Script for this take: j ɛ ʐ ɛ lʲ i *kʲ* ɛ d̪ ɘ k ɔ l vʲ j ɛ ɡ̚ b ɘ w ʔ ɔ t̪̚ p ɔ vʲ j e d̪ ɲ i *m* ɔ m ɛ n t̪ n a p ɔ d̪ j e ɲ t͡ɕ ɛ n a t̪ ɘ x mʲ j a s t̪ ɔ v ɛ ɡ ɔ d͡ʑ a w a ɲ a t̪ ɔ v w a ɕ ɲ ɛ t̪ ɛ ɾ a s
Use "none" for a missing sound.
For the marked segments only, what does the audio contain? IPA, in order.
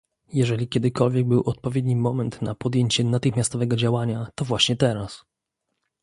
kʲ, m

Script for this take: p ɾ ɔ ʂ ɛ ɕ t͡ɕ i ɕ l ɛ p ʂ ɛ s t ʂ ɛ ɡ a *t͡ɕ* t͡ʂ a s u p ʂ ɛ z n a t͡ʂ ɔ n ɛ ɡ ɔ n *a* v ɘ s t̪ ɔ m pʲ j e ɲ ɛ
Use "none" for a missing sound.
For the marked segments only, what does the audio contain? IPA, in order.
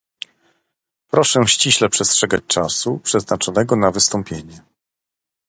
t͡ɕ, a

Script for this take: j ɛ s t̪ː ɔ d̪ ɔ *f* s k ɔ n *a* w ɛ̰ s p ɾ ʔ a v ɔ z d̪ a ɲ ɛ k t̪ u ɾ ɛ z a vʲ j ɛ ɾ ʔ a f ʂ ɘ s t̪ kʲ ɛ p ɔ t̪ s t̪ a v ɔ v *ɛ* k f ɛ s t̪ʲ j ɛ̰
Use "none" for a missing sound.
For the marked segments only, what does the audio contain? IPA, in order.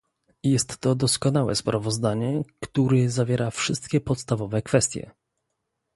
none, a, ɛ

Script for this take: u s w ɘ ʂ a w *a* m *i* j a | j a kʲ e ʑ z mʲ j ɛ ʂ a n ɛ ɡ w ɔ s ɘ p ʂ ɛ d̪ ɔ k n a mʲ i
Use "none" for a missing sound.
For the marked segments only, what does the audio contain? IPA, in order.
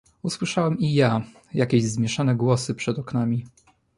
ɛ, i

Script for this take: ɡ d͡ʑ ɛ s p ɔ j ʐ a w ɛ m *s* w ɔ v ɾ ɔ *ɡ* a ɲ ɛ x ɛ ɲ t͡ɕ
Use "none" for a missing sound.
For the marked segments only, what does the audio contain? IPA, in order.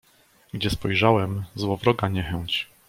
z, ɡ

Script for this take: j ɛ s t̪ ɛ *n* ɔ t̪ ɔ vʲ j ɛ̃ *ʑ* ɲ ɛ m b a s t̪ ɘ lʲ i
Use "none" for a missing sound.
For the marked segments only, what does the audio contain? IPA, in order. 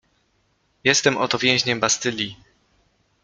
m, ʑ

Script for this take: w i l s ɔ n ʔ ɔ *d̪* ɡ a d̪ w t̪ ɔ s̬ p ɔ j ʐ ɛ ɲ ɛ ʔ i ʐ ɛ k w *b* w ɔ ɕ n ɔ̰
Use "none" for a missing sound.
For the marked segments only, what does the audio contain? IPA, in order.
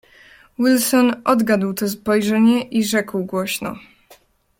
d̪, ɡ

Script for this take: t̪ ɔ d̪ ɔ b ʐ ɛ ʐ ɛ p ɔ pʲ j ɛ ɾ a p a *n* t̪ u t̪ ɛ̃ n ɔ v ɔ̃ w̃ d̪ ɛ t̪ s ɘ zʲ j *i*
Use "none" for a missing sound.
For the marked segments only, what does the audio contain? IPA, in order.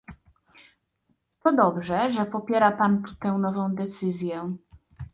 n, ɛ

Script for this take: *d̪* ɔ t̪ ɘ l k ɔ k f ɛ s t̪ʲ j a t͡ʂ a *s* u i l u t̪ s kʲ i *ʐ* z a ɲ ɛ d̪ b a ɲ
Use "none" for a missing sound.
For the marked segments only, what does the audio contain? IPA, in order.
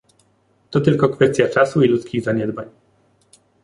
t̪, s, ɣ

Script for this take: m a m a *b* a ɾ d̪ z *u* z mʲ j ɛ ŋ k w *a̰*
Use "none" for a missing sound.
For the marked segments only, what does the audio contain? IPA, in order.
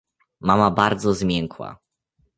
b, ɔ, a̰

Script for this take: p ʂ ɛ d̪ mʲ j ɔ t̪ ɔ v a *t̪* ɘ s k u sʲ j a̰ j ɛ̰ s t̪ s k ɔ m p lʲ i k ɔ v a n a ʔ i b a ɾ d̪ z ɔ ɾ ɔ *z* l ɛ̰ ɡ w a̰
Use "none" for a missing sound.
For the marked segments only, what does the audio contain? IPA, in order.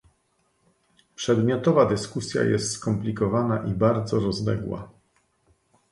d̪, z

